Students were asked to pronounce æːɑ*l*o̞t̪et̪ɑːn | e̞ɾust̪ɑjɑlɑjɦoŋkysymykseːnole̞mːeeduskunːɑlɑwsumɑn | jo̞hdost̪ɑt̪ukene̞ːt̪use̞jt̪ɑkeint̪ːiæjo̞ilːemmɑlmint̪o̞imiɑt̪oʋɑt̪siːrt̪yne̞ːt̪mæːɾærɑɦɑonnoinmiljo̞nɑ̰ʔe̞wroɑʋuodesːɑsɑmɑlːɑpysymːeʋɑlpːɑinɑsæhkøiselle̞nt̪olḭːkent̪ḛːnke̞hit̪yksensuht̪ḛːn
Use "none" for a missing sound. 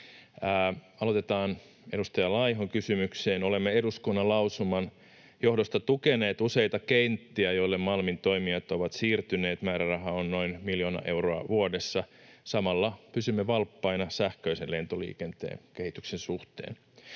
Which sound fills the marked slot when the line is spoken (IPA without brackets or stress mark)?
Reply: l